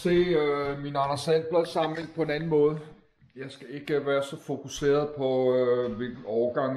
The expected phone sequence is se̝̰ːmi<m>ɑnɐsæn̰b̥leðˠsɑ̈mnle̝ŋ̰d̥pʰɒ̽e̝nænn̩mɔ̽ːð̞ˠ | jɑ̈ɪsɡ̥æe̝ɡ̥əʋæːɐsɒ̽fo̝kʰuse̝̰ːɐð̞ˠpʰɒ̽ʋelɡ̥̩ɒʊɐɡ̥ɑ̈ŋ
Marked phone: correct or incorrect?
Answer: incorrect